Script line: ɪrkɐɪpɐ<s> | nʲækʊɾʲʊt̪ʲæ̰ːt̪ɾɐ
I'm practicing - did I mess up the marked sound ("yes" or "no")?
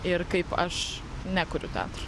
yes